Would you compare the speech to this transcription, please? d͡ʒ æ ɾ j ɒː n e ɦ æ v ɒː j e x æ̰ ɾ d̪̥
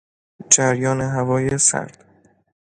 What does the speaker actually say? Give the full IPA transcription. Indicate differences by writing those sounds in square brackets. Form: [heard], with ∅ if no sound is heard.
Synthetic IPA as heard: d͡ʒ æ ɾ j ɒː n e ɦ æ v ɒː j e [s] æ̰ ɾ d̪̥